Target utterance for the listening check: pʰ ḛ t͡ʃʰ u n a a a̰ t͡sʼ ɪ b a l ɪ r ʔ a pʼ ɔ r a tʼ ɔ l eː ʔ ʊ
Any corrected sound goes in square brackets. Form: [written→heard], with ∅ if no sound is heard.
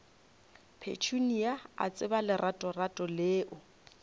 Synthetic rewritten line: pʰ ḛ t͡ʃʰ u n [a→i] a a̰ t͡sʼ ɪ b a l ɪ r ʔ a [pʼ→tʼ] ɔ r a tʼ ɔ l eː ʔ ʊ